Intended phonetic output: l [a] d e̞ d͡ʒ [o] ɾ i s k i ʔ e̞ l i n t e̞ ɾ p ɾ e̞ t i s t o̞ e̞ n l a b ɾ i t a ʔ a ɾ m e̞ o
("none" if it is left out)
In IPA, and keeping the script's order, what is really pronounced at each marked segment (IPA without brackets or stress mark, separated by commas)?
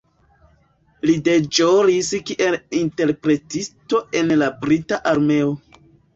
i, o